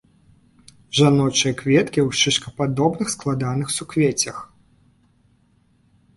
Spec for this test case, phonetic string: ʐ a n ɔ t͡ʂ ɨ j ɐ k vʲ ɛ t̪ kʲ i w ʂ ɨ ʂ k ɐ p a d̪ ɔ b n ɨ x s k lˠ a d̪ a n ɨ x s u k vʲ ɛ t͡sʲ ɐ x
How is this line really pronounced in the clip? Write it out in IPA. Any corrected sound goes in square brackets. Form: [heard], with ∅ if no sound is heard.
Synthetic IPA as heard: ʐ a n ɔ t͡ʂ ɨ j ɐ k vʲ ɛ t̪ kʲ i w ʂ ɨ ʂ k ɐ p a d̪ ɔ b n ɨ x s k lˠ a d̪ a n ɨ x s u k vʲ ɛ t͡sʲ ɐ x